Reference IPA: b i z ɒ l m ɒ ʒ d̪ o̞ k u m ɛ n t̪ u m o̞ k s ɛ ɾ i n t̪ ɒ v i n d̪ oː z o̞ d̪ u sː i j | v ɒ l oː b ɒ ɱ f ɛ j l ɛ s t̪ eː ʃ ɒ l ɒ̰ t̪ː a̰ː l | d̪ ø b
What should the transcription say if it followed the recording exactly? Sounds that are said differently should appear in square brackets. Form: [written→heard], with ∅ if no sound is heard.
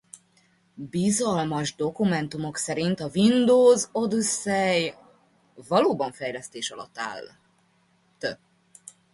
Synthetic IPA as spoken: b i z ɒ l m ɒ ʒ d̪ o̞ k u m ɛ n t̪ u m o̞ k s ɛ ɾ i n t̪ ɒ v i n d̪ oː z o̞ d̪ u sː [i→ɛ] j | v ɒ l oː b ɒ ɱ f ɛ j l ɛ s t̪ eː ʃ ɒ l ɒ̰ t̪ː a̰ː l | [d̪→t̪] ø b